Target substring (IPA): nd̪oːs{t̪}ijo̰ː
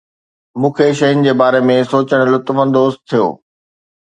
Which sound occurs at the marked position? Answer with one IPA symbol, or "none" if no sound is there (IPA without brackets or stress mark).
t̪ʰ